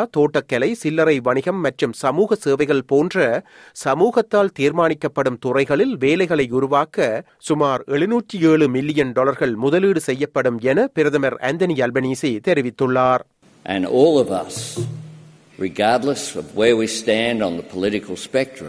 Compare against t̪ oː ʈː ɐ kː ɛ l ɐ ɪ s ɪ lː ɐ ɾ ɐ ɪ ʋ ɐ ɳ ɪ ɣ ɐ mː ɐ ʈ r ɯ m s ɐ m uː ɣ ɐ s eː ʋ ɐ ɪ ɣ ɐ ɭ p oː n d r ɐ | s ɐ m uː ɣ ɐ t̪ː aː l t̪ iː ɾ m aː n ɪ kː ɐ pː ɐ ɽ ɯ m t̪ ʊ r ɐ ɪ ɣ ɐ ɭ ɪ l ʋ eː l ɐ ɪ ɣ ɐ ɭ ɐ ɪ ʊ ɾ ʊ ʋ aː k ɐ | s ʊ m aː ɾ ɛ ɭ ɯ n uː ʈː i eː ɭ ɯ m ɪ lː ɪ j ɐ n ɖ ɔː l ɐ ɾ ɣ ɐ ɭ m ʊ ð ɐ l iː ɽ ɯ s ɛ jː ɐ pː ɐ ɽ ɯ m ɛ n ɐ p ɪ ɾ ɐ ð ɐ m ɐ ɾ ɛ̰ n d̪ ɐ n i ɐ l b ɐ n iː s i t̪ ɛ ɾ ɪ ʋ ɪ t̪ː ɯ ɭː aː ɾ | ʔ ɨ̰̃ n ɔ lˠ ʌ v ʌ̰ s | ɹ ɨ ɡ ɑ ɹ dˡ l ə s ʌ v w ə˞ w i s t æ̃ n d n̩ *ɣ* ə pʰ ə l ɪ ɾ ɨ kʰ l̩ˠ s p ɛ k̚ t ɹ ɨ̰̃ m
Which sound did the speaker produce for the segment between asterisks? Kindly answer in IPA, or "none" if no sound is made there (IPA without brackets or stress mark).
ð